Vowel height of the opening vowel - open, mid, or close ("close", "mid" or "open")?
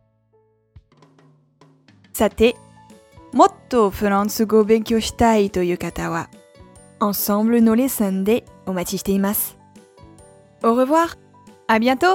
open